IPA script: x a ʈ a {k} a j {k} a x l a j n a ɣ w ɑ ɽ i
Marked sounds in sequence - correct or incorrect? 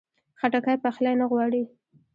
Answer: correct, incorrect: p

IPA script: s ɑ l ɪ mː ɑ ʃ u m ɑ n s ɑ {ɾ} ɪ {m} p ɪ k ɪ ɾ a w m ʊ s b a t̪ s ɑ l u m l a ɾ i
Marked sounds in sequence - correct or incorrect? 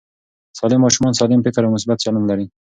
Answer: incorrect: l, correct

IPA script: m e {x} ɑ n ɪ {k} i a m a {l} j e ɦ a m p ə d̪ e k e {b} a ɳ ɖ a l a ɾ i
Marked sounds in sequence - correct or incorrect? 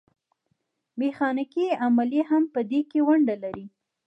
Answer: correct, correct, correct, incorrect: w

